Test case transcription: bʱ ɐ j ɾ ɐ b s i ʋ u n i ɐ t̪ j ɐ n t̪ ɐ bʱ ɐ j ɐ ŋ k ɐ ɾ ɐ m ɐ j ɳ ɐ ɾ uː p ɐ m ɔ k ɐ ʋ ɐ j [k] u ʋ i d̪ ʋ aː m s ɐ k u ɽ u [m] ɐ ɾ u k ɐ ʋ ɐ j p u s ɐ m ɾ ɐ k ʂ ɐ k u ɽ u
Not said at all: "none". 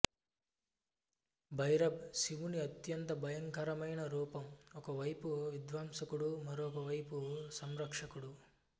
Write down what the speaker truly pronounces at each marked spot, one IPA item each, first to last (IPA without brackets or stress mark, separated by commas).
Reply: p, m